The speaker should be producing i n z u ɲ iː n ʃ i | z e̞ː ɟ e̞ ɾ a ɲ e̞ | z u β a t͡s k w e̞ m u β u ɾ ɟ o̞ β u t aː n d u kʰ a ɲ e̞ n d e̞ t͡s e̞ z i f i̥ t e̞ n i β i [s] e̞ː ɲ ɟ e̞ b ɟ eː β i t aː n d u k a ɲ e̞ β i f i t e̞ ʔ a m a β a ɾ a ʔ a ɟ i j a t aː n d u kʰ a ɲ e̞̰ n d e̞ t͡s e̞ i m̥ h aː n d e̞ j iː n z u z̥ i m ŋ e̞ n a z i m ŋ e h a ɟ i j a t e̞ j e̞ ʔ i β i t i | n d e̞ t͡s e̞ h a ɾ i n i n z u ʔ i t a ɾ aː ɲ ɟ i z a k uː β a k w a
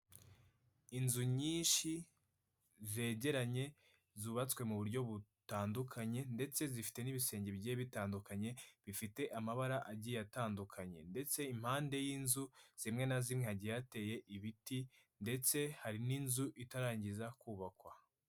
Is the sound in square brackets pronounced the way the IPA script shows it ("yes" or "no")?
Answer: yes